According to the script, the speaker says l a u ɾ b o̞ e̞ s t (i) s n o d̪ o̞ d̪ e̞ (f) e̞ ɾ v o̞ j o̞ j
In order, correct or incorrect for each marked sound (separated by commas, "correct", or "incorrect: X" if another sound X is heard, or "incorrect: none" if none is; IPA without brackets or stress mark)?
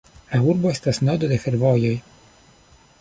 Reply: incorrect: a, correct